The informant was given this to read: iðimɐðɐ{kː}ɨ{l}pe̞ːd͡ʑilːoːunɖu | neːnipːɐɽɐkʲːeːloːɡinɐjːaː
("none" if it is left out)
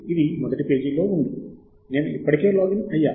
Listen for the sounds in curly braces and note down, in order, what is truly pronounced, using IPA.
ʈː, none

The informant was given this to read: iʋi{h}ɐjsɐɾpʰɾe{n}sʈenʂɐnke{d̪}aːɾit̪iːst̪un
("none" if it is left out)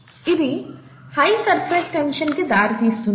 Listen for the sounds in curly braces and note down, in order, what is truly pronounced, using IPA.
h, none, d̪

